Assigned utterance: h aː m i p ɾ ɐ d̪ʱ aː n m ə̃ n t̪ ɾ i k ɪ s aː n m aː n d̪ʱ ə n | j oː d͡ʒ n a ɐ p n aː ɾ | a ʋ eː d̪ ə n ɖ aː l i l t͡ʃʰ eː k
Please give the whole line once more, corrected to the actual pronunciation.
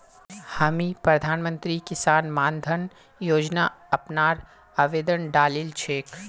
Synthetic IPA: h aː m i p ɾ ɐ d̪ʱ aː n m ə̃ n t̪ ɾ i k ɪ s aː n m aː n d̪ʱ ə n | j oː d͡ʒ n a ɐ p n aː ɾ | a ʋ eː d̪ ə n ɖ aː l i l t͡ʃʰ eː k